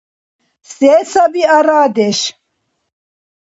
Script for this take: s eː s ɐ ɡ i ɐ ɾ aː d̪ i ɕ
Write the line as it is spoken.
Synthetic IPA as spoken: s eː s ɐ b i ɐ ɾ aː d̪ e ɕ